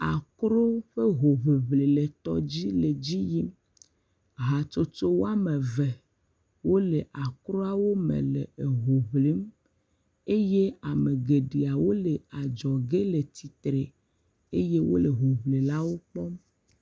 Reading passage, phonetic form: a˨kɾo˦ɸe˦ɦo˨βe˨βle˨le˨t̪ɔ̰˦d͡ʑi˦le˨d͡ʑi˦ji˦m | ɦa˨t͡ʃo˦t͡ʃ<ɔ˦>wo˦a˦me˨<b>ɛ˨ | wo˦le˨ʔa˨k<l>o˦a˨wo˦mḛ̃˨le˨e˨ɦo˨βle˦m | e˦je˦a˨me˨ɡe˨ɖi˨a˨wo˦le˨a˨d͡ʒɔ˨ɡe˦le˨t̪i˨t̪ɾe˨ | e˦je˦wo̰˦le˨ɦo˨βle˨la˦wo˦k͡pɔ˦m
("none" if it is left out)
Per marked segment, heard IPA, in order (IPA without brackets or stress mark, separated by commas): o˦, v, ɾ